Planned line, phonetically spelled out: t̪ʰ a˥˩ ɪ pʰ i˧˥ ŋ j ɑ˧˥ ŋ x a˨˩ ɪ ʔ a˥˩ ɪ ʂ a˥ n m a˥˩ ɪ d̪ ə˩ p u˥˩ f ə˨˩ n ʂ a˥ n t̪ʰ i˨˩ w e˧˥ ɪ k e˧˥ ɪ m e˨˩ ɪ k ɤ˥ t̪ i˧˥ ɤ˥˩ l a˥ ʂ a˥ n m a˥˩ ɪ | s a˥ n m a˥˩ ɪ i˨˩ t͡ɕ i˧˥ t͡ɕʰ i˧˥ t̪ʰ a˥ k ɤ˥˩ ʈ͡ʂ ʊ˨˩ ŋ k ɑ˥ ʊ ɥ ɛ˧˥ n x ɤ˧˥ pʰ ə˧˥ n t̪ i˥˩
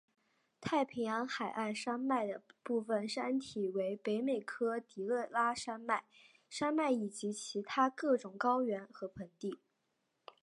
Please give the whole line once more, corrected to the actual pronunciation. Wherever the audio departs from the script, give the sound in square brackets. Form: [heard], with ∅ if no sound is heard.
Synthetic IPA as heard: t̪ʰ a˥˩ ɪ pʰ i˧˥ ŋ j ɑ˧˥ ŋ x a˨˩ ɪ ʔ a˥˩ ɪ ʂ a˥ n m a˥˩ ɪ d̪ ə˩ p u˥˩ f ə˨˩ n ʂ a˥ n t̪ʰ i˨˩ w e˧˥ ɪ [p] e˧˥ ɪ m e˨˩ ɪ [kʰ] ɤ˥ t̪ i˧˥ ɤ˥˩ l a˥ ʂ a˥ n m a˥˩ ɪ | [ʂ] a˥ n m a˥˩ ɪ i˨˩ t͡ɕ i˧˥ t͡ɕʰ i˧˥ t̪ʰ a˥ k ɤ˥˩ ʈ͡ʂ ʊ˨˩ ŋ k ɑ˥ ʊ ɥ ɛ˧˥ n x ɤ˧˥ pʰ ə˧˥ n t̪ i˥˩